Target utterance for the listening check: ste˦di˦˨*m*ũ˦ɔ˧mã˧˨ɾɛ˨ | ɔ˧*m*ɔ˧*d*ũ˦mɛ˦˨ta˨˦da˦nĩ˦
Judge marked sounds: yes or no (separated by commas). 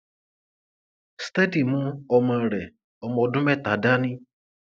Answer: yes, yes, yes